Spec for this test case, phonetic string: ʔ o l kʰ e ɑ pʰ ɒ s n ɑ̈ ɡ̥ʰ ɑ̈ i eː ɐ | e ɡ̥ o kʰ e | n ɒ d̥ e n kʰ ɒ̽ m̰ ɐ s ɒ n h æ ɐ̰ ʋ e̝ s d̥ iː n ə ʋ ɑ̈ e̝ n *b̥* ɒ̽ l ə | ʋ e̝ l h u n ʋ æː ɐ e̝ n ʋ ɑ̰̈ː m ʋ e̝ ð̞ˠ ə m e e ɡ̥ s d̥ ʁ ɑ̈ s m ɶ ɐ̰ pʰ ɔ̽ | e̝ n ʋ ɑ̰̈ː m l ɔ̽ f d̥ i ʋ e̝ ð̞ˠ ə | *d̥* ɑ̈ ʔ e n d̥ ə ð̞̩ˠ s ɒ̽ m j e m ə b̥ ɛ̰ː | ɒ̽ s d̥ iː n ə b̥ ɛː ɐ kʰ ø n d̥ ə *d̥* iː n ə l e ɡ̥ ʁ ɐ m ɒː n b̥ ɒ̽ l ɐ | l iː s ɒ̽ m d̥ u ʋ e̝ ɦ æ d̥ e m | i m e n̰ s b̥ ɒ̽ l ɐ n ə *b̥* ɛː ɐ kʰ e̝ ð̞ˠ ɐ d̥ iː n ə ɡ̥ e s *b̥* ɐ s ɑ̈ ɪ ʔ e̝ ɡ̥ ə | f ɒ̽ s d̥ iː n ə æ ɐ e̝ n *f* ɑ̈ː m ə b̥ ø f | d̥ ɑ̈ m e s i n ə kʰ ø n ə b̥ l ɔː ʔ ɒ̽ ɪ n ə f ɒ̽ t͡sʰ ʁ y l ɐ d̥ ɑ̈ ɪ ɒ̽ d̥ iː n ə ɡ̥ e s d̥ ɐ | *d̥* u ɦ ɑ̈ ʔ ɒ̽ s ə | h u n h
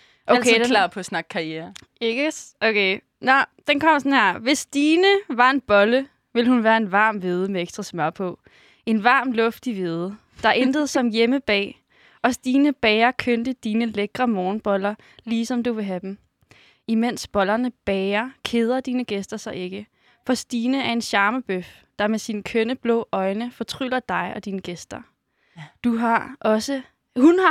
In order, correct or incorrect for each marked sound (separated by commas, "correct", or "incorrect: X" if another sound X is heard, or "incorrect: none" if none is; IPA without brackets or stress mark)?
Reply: correct, correct, correct, correct, incorrect: d̥, incorrect: ɕ, correct